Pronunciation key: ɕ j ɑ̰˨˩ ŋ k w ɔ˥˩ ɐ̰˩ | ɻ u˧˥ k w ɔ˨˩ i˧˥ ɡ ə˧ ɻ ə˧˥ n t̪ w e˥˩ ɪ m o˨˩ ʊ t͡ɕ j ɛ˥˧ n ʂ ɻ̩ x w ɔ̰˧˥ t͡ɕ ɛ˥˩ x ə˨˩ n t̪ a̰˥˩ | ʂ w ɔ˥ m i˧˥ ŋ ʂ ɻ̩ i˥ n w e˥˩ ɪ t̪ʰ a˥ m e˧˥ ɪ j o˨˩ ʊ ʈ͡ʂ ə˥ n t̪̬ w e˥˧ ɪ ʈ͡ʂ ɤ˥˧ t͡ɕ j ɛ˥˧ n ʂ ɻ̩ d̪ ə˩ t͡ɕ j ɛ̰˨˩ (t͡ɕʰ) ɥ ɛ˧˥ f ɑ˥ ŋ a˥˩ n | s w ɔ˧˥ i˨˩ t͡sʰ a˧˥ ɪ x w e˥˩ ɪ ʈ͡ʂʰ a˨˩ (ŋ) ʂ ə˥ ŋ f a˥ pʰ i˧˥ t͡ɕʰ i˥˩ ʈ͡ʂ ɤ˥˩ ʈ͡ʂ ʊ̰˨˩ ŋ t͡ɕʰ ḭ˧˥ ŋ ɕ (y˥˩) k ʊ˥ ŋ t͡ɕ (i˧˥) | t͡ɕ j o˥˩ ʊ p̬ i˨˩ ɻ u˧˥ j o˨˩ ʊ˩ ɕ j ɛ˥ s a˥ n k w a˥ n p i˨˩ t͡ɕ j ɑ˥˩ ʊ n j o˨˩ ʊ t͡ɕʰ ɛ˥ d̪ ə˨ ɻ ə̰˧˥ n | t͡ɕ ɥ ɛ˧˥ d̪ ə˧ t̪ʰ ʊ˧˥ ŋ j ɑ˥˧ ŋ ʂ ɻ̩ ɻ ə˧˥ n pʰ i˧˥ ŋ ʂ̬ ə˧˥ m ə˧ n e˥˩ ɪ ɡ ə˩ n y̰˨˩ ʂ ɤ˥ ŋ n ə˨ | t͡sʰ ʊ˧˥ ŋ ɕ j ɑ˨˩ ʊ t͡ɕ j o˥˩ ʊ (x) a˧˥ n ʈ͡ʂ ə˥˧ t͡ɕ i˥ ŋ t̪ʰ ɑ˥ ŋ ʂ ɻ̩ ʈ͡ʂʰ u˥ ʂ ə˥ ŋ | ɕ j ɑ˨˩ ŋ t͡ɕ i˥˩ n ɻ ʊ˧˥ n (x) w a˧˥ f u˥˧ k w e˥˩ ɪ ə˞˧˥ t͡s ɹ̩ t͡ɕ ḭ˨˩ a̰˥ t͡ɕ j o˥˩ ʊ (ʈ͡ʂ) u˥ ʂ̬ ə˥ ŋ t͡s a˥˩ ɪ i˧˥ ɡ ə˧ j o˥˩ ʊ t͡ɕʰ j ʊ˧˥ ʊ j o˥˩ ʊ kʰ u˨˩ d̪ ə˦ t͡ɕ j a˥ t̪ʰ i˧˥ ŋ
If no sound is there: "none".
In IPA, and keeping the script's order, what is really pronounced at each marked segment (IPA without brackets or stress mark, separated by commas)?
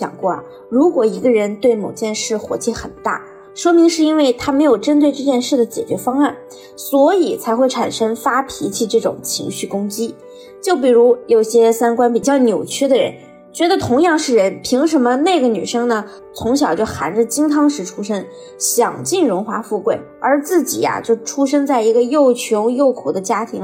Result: t͡ɕ, n, y˥˩, i˥, x, x, ʈ͡ʂʰ